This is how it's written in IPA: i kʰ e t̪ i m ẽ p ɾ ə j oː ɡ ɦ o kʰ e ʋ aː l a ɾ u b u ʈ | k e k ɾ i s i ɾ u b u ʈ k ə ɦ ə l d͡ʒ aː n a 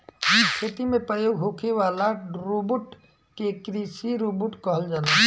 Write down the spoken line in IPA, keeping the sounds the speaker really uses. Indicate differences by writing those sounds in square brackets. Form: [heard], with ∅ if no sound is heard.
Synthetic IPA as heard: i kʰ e t̪ i m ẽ p ɾ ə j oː ɡ ɦ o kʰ e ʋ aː l a ɾ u b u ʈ | k e k ɾ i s i ɾ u b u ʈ k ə ɦ ə l d͡ʒ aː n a